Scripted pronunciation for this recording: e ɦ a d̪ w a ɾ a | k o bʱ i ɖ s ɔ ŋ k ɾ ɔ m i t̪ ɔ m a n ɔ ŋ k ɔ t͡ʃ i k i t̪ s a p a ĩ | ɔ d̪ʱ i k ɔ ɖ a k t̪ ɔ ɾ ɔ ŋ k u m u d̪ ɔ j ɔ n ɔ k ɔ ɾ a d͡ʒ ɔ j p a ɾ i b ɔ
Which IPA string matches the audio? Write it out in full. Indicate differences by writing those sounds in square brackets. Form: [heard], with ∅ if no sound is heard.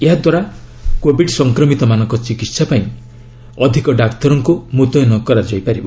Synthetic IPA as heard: e ɦ a d̪ w a ɾ a | k o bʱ i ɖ s ɔ ŋ k ɾ ɔ m i t̪ ɔ m a n ɔ ŋ k ɔ t͡ʃ i k i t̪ s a p a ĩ | ɔ d̪ʱ i k ɔ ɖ a k t̪ ɔ ɾ ɔ ŋ k u m u [t̪] ɔ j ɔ n ɔ k ɔ ɾ a d͡ʒ ɔ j p a ɾ i b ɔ